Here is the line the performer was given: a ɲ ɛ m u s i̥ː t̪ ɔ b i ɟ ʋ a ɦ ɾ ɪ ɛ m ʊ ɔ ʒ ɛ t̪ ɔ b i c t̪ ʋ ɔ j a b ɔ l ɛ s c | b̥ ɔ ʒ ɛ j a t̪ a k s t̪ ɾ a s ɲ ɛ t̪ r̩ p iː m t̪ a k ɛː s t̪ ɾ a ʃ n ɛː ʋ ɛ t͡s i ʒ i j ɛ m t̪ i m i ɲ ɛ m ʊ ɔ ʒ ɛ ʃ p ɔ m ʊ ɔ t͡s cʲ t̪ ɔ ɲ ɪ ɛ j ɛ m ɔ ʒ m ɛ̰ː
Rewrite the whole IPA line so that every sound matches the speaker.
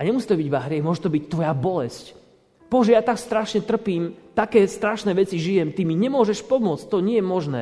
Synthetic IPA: a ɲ ɛ m u s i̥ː t̪ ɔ b i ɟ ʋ a ɦ ɾ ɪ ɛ m ʊ ɔ ʒ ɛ t̪ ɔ b i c t̪ ʋ ɔ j a b ɔ l ɛ s c | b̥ ɔ ʒ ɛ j a t̪ a k s t̪ ɾ a ʃ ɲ ɛ t̪ r̩ p iː m t̪ a k ɛː s t̪ ɾ a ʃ n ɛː ʋ ɛ t͡s i ʒ i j ɛ m t̪ i m i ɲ ɛ m ʊ ɔ ʒ ɛ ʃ p ɔ m ʊ ɔ t͡s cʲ t̪ ɔ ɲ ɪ ɛ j ɛ m ɔ ʒ n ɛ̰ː